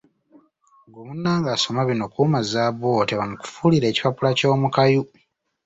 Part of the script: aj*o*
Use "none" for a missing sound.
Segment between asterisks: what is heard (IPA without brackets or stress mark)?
u